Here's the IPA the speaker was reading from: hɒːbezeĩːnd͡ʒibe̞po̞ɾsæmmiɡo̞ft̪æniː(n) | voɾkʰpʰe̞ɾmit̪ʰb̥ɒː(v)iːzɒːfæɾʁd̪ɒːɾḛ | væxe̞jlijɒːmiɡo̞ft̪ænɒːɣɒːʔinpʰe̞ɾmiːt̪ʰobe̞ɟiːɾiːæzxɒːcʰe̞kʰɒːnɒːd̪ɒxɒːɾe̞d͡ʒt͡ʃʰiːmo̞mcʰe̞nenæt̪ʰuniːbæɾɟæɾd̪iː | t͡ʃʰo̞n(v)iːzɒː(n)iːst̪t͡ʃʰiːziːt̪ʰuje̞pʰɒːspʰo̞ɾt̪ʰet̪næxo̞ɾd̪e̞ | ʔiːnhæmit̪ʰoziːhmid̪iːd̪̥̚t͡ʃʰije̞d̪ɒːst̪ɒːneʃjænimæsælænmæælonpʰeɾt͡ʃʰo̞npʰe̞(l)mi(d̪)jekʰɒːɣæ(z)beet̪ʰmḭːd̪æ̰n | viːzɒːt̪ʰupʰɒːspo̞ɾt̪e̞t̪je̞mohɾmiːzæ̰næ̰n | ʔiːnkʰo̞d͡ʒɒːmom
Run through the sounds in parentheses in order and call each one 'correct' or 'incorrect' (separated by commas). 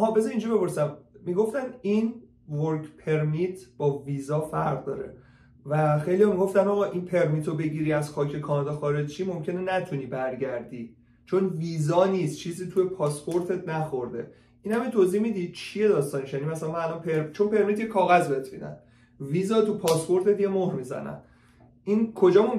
correct, correct, correct, correct, incorrect, incorrect, correct